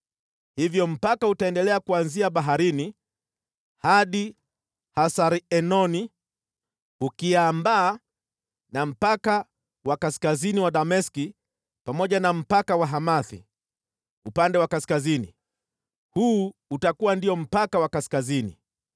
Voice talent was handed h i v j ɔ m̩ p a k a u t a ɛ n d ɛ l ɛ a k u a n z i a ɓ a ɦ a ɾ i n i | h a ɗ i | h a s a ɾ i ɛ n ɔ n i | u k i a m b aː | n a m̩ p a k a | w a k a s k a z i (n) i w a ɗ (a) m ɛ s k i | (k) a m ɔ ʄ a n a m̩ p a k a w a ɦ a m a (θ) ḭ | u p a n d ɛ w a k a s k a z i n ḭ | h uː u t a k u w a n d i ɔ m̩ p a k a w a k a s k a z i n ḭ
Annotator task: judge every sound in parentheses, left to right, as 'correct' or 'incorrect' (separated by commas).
correct, correct, incorrect, correct